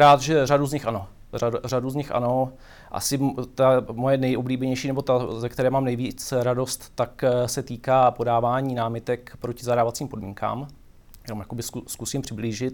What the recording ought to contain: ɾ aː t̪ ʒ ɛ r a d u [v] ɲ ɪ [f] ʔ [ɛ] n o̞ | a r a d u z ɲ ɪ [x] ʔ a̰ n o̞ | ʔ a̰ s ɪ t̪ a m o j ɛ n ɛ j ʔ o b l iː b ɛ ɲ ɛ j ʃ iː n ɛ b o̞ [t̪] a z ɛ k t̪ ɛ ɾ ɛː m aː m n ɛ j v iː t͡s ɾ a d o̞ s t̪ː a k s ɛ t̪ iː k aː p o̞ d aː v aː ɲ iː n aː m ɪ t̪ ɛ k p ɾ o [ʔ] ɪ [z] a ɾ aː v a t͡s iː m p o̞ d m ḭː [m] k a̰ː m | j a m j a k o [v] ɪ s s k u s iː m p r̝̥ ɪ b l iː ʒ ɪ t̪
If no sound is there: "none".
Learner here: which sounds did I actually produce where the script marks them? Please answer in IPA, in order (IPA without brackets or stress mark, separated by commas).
z, x, a, x, t̪, c, z, ŋ, b